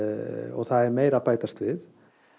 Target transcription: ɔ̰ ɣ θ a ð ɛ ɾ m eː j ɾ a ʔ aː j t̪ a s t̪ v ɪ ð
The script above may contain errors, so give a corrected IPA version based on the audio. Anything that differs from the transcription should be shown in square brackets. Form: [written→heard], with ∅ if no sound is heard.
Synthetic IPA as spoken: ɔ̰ ɣ θ a ð ɛ ɾ m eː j ɾ a [ʔ→p] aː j t̪ a s t̪ v ɪ ð

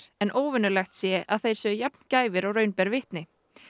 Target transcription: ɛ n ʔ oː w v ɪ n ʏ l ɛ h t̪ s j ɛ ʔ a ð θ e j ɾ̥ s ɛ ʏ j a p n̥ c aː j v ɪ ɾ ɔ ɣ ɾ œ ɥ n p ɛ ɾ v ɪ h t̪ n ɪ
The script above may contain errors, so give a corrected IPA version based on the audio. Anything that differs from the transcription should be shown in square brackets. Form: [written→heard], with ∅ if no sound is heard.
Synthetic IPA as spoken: ɛ n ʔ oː w v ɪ n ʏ l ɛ [h→x] t̪ s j ɛ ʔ a ð θ e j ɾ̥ s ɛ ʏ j a p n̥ c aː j v ɪ ɾ ɔ ɣ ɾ œ ɥ n p ɛ ɾ v ɪ h t̪ n ɪ

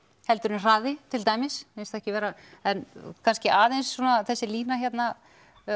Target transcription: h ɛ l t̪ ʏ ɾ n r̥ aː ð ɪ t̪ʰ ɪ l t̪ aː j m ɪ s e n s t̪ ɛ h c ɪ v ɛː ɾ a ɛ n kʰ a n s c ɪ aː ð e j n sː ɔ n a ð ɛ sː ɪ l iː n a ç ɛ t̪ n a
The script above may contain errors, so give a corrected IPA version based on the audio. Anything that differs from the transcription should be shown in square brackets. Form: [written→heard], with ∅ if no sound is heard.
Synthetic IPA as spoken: h ɛ l t̪ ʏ ɾ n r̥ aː ð ɪ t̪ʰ ɪ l t̪ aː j m ɪ s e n s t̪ ɛ h c ɪ v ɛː ɾ a ɛ n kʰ a n s c ɪ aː ð e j n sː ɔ n a [ð→θ] ɛ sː ɪ l iː n a ç ɛ t̪ n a

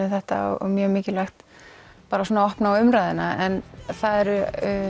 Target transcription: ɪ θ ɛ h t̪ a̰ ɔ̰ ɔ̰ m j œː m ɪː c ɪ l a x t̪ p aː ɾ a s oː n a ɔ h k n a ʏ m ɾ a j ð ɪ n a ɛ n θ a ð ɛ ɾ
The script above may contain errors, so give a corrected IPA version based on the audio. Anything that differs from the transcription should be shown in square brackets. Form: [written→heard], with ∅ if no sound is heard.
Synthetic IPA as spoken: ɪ θ ɛ h t̪ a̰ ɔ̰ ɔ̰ m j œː m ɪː c ɪ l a x t̪ p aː ɾ a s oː n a ɔ h [k→p] n a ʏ m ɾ a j ð ɪ n a ɛ n θ a ð ɛ ɾ

